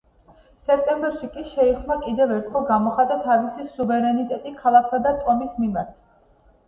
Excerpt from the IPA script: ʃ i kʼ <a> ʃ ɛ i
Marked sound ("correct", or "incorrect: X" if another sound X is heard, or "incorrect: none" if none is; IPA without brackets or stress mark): incorrect: i